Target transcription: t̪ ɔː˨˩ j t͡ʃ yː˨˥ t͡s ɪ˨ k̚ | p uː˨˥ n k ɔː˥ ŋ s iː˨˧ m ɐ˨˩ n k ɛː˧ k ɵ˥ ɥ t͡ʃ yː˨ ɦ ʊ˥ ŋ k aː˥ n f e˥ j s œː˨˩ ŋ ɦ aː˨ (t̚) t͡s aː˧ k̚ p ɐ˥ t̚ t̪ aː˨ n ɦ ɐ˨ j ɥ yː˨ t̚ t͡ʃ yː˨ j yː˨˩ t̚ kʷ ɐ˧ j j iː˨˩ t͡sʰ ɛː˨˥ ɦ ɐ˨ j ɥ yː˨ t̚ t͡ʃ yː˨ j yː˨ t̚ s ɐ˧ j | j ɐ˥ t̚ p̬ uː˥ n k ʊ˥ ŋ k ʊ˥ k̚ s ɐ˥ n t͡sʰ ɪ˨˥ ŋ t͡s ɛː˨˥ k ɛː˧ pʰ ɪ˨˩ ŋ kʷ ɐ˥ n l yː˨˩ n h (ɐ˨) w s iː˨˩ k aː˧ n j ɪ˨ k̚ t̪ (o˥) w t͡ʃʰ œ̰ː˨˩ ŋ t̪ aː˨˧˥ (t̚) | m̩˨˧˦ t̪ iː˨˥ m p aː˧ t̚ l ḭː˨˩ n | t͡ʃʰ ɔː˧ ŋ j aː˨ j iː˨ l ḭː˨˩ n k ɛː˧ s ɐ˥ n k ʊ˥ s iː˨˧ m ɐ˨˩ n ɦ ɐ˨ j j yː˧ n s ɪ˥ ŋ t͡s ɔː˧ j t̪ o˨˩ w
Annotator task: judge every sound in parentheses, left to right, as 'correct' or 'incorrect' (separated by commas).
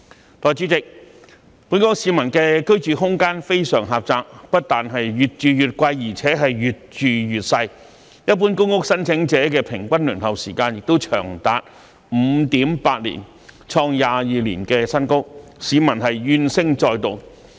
incorrect, correct, correct, correct